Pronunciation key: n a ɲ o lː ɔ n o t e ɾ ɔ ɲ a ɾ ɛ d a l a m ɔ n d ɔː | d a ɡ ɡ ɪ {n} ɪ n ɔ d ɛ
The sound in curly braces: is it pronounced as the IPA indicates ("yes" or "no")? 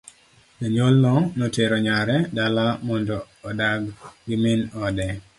no